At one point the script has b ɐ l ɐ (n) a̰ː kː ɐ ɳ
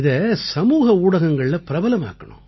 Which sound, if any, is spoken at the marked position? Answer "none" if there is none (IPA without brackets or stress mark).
m